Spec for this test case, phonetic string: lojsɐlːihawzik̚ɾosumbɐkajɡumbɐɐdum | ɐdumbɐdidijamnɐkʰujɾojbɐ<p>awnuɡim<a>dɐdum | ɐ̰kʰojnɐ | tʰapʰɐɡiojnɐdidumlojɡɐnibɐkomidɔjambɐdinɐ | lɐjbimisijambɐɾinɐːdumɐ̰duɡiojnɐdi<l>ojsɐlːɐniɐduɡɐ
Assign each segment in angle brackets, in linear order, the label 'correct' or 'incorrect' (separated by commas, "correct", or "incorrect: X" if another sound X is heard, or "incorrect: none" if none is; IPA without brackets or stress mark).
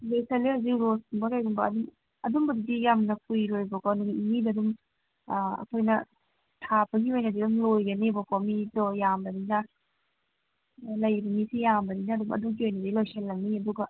incorrect: k, incorrect: i, correct